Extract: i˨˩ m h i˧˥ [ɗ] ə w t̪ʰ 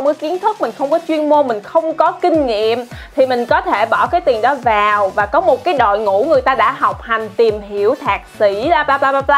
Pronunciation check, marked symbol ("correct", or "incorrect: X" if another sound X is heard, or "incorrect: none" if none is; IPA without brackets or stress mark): incorrect: none